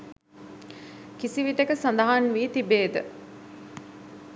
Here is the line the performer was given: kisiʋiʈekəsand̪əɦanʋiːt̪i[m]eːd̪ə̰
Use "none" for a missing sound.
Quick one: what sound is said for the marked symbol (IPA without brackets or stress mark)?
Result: b